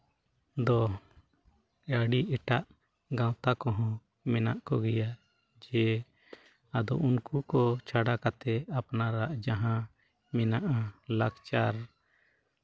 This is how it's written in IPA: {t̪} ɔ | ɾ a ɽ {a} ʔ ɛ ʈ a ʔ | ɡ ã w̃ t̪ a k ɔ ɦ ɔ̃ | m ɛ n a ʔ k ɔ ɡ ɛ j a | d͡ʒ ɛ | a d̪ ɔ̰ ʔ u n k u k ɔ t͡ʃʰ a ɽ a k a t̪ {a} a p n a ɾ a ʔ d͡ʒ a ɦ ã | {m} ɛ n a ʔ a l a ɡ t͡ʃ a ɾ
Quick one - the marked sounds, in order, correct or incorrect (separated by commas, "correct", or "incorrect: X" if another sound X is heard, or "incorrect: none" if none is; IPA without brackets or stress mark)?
incorrect: d̪, incorrect: i, incorrect: ɛ, correct